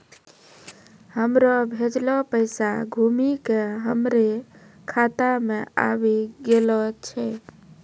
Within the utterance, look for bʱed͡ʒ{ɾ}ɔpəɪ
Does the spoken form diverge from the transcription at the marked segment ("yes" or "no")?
yes